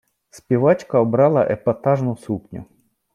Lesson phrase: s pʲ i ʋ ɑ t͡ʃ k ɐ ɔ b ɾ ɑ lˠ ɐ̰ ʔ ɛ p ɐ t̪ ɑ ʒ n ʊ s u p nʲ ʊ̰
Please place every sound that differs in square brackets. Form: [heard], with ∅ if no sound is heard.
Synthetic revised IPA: s pʲ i ʋ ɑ t͡ʃ k ɐ ɔ b ɾ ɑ lˠ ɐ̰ ʔ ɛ p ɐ t̪ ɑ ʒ n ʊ s u p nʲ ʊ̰